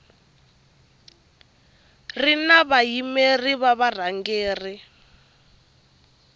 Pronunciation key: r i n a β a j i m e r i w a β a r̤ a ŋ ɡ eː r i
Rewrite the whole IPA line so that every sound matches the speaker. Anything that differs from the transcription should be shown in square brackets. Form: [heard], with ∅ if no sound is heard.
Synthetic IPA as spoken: r i n a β a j i m e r i [β] a β a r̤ a ŋ ɡ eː r i